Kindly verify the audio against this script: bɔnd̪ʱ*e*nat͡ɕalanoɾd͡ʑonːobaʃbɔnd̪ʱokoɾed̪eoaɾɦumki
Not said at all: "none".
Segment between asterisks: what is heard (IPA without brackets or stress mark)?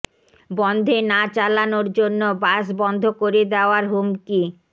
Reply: e